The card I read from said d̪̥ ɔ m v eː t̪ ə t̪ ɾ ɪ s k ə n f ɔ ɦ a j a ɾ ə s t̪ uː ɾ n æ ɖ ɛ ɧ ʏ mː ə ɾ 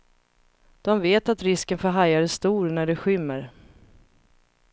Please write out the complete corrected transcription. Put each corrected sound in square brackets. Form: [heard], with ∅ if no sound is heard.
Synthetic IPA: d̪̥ ɔ m v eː t̪ [a] t̪ ɾ ɪ s k ə n f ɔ ɦ a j a ɾ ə s t̪ uː ɾ n æ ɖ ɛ ɧ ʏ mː ə ɾ